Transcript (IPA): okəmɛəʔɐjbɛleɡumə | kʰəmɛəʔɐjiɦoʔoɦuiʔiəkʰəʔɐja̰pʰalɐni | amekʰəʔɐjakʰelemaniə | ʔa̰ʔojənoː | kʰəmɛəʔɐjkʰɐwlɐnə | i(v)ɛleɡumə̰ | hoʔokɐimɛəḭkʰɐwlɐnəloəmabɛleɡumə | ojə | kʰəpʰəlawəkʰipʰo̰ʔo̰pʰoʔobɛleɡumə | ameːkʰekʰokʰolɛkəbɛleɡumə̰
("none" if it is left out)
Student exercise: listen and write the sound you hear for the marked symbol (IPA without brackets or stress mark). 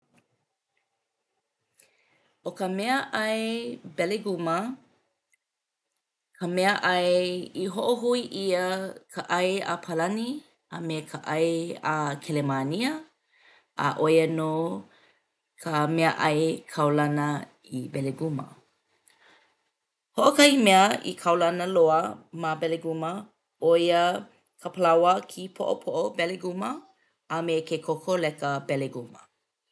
b